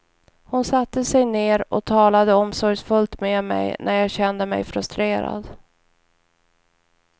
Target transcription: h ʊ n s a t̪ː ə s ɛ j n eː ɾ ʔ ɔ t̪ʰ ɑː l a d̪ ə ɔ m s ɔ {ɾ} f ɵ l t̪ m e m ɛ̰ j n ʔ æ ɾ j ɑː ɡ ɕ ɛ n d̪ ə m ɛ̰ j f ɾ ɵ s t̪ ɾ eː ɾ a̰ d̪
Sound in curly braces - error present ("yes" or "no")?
no